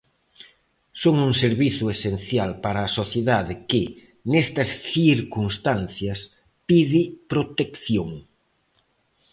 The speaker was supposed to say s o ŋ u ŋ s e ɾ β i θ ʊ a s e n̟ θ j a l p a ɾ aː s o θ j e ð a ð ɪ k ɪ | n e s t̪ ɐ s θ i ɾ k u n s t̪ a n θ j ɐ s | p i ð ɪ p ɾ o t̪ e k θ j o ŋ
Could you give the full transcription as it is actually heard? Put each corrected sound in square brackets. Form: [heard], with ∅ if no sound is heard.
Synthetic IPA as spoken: s o ŋ u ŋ s e ɾ β i θ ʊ [e] s e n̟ θ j a l p a ɾ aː s o θ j e ð a ð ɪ k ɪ | n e s t̪ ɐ s θ i ɾ k u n s t̪ a n θ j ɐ s | p i ð ɪ p ɾ o t̪ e k θ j o ŋ